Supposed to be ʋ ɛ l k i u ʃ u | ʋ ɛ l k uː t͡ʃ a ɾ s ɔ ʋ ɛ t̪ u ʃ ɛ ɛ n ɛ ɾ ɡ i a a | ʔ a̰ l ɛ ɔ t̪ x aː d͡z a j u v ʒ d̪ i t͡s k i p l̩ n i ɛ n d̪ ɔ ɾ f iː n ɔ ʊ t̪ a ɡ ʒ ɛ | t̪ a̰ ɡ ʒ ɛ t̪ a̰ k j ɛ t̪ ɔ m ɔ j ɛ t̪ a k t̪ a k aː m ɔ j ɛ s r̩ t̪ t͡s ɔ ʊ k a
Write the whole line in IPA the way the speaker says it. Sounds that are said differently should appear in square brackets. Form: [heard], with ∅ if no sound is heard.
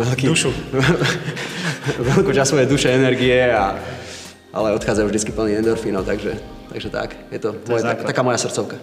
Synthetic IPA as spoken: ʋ ɛ l k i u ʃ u | ʋ ɛ l k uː t͡ʃ a [∅] s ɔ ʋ ɛ [d̪] u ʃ ɛ ɛ n ɛ ɾ ɡ i [ɛ] a | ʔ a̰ l ɛ ɔ t̪ x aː d͡z a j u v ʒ d̪ i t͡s k i p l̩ n i ɛ n d̪ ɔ ɾ f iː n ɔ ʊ t̪ a ɡ ʒ ɛ | t̪ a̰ ɡ ʒ ɛ t̪ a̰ k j ɛ t̪ ɔ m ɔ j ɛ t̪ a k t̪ a k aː m ɔ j [a] s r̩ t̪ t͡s ɔ ʊ k a